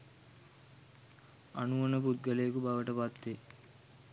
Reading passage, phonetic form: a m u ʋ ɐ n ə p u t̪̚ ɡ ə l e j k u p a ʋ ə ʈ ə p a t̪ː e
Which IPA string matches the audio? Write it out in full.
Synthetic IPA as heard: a n u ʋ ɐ n ə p u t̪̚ ɡ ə l e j k u b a ʋ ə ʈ ə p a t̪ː e